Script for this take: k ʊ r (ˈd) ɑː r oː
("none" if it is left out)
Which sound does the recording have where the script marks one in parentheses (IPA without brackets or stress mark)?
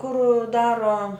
d